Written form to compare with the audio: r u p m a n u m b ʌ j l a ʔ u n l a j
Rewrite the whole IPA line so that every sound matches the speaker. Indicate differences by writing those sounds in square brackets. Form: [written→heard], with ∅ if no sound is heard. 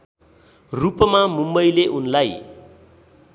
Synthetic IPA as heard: r u p m a [n→m] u m b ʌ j l [a→e] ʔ u n l a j